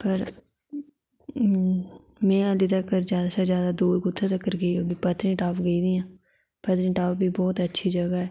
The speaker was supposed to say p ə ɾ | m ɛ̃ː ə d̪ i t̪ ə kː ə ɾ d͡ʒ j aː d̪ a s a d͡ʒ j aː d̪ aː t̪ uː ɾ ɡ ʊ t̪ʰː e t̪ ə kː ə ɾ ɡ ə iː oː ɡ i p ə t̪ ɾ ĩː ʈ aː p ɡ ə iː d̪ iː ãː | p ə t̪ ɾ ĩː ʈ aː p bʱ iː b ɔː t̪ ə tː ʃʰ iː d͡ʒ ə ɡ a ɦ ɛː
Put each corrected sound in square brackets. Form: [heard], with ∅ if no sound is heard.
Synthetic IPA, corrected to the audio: p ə ɾ | m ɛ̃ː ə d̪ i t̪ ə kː ə ɾ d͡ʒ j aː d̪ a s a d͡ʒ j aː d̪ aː [d̪] uː ɾ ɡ ʊ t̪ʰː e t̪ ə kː ə ɾ ɡ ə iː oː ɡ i p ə t̪ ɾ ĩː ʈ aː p ɡ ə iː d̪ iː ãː | p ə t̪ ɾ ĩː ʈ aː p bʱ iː b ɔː t̪ ə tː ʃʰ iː d͡ʒ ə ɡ a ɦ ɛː